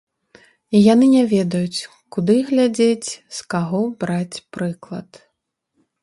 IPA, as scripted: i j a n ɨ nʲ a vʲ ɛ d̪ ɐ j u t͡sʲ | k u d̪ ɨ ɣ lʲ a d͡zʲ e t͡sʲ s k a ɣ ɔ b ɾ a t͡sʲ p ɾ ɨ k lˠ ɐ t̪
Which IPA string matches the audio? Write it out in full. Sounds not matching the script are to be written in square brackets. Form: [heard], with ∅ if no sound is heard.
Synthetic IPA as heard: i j a n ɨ nʲ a vʲ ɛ d̪ ɐ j u t͡sʲ | k u d̪ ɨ ɣ lʲ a d͡zʲ e t͡sʲ s k a ɣ ɔ b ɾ a t͡sʲ p ɾ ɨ k lˠ ɐ t̪